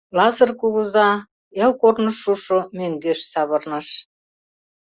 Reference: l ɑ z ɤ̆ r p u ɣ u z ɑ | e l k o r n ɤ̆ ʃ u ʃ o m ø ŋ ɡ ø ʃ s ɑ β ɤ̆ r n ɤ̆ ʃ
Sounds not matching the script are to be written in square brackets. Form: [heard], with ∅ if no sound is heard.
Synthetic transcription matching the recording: l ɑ z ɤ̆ r [k] u ɣ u z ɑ | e l k o r n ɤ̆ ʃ u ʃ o m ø ŋ ɡ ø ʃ s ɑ β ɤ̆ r n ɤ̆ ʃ